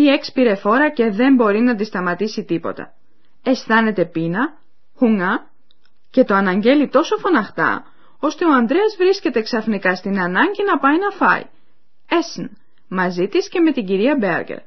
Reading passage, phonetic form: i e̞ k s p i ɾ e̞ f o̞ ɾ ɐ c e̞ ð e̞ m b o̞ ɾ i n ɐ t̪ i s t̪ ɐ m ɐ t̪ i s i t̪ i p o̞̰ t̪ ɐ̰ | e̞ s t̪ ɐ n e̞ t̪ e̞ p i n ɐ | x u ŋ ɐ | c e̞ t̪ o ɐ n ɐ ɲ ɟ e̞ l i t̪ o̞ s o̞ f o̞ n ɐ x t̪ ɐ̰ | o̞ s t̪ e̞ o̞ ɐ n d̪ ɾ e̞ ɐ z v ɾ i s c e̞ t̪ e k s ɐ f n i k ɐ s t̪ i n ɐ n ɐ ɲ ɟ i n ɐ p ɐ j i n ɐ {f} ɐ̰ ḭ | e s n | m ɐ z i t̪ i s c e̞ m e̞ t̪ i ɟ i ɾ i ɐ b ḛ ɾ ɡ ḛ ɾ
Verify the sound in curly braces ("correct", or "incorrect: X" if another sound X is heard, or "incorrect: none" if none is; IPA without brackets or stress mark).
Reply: correct